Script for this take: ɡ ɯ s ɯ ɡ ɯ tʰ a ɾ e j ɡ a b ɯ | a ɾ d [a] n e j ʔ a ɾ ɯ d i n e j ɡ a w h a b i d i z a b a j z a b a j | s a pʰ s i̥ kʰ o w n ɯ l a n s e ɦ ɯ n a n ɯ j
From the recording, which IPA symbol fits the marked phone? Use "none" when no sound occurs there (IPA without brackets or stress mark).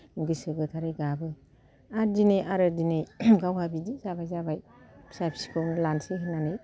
i